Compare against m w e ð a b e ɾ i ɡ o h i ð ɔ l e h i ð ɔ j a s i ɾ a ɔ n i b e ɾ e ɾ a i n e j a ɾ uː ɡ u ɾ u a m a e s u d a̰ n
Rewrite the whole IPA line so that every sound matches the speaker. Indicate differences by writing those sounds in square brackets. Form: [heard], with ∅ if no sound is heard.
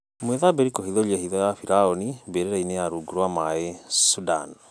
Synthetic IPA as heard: m w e ð a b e ɾ i [k] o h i ð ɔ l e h i ð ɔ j a [f] i ɾ a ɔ n i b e ɾ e ɾ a i n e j a ɾ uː ɡ u ɾ [w] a m a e s u d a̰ n